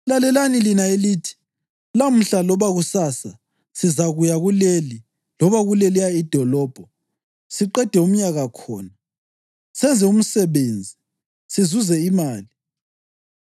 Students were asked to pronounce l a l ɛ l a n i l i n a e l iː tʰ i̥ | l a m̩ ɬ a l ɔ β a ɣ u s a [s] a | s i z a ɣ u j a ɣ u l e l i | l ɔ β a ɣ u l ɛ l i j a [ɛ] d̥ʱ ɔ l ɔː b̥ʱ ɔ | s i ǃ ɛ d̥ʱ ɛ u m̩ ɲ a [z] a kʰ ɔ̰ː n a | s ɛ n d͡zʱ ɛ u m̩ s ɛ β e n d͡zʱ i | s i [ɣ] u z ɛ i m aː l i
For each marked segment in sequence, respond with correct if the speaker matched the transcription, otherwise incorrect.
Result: correct, incorrect, incorrect, incorrect

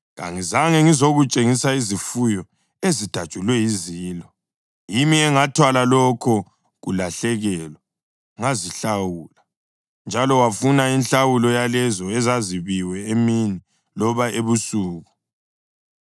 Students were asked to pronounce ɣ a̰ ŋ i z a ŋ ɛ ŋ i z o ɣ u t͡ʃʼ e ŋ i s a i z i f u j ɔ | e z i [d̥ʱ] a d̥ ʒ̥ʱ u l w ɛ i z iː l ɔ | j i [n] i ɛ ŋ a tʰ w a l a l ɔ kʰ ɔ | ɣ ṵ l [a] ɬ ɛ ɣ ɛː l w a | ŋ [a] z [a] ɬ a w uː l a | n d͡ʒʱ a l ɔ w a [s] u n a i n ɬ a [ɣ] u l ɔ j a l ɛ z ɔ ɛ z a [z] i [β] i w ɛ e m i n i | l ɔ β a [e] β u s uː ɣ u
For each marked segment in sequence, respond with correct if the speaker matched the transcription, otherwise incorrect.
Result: correct, incorrect, correct, correct, incorrect, incorrect, incorrect, correct, correct, correct

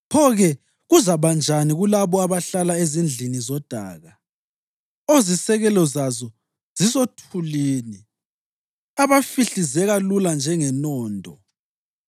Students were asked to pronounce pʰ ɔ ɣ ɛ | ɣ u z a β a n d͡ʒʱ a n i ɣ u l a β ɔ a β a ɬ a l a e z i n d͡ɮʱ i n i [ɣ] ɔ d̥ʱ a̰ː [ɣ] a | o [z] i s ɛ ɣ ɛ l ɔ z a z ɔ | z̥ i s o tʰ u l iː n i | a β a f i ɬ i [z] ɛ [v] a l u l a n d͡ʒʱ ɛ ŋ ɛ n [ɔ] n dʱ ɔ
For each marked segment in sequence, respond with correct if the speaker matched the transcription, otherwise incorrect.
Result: incorrect, correct, correct, correct, incorrect, incorrect

